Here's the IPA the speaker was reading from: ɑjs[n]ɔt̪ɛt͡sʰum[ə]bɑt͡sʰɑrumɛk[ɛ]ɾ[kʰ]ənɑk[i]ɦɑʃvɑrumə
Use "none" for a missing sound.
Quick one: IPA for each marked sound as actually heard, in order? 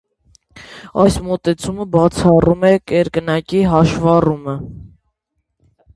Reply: m, ə, ɛ, k, i

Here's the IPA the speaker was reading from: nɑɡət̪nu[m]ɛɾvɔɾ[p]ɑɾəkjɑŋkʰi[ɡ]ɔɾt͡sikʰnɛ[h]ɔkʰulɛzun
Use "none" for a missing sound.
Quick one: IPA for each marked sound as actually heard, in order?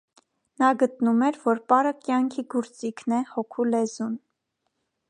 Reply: m, p, ɡ, h

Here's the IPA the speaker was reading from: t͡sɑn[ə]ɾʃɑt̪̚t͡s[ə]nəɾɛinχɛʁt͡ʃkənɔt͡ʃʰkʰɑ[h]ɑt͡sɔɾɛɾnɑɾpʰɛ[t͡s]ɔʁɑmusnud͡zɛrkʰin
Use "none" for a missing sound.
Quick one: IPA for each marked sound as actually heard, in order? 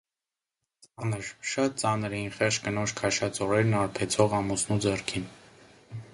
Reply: ə, ɑ, ʃ, t͡sʰ

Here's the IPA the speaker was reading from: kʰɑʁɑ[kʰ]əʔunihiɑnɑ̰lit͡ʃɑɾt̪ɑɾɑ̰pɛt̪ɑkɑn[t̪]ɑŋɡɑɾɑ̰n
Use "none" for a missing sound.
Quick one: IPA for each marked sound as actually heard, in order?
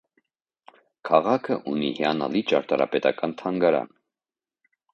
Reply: kʰ, t̪ʰ

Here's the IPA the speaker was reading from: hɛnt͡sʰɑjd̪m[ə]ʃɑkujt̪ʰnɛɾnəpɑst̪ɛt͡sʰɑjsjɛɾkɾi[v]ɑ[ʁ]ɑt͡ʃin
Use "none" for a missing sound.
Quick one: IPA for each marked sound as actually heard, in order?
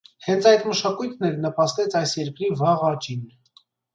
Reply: ə, v, ʁ

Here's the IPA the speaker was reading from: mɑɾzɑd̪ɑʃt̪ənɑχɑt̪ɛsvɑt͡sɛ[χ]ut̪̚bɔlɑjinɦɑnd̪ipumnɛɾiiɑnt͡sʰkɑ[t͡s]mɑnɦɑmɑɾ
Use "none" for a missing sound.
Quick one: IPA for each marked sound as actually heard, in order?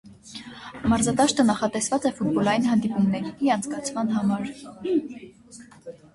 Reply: f, t͡sʰ

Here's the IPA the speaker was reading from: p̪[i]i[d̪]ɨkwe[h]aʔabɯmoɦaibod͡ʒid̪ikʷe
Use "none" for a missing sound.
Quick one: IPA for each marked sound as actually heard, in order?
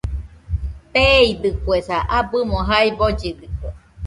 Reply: e, d̪, s

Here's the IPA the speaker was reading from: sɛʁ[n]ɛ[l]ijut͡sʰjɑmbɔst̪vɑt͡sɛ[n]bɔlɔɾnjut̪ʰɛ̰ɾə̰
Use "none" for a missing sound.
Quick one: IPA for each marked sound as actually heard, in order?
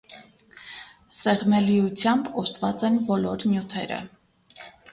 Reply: m, l, n

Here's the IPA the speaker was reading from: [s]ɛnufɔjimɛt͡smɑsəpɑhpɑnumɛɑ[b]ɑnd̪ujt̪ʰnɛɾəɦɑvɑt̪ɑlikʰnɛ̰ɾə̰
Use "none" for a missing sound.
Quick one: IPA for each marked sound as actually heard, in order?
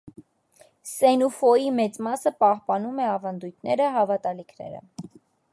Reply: s, v

